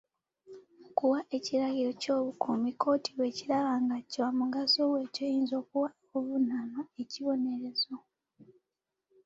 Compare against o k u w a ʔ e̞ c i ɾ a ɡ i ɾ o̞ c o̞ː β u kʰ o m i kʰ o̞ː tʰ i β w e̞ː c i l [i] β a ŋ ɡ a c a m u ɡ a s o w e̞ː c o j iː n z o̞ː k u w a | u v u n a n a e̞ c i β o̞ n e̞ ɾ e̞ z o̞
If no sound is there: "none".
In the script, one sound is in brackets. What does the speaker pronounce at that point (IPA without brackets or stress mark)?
a